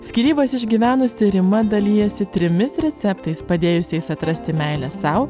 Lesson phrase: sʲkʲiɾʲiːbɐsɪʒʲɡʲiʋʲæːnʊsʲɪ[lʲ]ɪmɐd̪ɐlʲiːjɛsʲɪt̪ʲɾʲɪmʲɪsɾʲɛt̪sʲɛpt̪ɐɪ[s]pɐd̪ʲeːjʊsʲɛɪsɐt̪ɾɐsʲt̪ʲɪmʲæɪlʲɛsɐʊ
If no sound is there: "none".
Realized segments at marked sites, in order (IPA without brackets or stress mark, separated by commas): ɾʲ, s